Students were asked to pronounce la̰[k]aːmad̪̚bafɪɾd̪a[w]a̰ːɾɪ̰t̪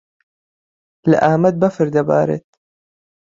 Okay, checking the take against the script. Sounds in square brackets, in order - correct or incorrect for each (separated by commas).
incorrect, incorrect